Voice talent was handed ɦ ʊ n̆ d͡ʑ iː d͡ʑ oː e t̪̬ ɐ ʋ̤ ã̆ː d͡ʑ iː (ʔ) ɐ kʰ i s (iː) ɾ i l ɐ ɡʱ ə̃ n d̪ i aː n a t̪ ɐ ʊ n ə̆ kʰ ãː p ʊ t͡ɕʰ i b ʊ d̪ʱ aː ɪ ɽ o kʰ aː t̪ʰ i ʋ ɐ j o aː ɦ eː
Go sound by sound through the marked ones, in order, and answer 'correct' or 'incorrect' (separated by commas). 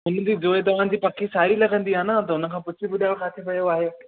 incorrect, incorrect